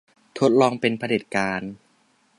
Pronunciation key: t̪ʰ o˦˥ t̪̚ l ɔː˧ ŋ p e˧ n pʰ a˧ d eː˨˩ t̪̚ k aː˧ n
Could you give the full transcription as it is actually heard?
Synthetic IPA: t̪ʰ o˦˥ t̪̚ l ɔː˧ ŋ p e˧ n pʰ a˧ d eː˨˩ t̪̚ k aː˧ n

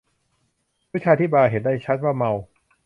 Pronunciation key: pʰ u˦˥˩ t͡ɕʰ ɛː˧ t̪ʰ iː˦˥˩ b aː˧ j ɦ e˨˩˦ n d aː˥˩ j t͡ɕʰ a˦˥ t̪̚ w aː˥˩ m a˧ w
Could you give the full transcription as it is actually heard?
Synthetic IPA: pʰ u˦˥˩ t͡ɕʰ aː˧ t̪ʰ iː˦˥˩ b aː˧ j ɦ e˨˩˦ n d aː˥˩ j t͡ɕʰ a˦˥ t̪̚ w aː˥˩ m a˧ w

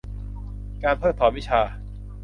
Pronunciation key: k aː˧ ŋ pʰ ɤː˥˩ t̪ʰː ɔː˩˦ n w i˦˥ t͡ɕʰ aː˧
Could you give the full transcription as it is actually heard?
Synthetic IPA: k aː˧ n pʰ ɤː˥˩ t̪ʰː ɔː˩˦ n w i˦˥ t͡ɕʰ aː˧

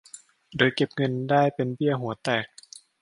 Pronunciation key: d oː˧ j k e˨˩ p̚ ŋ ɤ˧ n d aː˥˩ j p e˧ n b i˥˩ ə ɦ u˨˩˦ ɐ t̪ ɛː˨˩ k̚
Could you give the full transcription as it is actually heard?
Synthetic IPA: d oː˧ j k e˨˩ p̚ ŋ ɤ˧ n d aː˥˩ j p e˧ n b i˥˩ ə ɦ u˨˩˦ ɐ t̪ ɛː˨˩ k̚

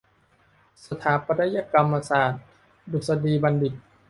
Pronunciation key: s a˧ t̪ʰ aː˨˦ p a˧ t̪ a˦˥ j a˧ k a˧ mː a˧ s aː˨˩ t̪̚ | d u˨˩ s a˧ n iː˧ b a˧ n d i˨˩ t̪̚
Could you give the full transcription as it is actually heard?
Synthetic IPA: s a˧ t̪ʰ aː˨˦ p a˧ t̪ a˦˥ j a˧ k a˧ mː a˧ s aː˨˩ t̪̚ | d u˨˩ s a˧ d iː˧ b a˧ n d i˨˩ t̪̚

